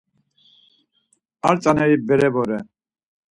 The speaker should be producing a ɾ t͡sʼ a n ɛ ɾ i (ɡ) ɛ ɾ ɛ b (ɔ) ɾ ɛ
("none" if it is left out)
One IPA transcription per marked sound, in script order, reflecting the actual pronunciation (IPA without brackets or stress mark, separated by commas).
b, ɔ